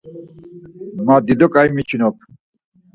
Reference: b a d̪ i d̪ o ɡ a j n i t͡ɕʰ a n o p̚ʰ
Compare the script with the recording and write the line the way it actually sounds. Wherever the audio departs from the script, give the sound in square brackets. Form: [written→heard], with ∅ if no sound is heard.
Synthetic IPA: [b→m] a d̪ i d̪ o [ɡ→k] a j [n→m] i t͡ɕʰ [a→i] n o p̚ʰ